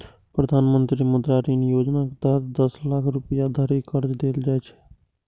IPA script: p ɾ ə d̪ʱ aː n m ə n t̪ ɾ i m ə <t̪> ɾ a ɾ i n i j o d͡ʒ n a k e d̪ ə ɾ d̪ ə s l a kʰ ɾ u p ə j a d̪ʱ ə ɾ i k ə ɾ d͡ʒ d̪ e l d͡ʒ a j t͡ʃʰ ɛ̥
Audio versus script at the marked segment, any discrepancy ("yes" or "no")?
yes